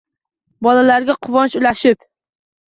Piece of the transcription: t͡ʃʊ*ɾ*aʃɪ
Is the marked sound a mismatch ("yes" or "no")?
yes